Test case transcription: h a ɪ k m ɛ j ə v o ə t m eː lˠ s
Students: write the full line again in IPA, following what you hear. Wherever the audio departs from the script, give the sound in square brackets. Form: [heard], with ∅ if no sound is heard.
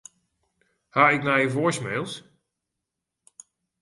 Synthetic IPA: h a ɪ k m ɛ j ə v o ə [s] m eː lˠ s